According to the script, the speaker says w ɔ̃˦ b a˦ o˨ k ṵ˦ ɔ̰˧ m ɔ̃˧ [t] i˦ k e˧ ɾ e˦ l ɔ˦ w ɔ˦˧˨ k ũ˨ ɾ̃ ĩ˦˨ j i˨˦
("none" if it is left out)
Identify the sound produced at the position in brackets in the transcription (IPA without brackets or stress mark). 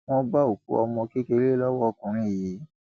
k